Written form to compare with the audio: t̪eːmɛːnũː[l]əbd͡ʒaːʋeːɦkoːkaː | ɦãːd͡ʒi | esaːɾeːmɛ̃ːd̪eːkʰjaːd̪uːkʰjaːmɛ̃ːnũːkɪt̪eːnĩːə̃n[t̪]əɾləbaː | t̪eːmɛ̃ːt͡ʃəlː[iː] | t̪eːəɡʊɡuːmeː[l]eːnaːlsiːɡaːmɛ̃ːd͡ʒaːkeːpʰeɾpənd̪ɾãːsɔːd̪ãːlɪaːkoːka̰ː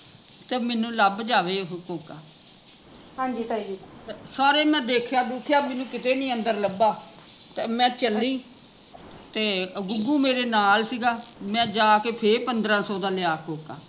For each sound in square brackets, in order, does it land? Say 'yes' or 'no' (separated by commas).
yes, no, yes, no